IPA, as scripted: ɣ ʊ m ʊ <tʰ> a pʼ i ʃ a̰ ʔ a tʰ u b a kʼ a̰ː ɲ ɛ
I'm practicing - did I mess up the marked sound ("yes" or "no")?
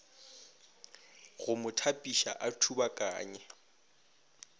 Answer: no